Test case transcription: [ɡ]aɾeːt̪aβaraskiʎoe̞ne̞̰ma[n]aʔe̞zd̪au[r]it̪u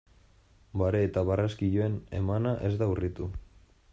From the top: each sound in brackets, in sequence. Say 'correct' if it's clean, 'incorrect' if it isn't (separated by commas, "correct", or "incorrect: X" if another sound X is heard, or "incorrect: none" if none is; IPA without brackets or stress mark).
incorrect: b, correct, correct